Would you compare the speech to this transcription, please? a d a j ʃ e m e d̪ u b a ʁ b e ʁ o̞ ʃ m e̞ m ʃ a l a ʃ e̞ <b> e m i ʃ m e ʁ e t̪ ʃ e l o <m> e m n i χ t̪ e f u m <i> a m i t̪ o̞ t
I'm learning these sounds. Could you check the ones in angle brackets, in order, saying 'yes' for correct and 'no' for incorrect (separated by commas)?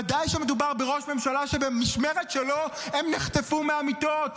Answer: yes, no, no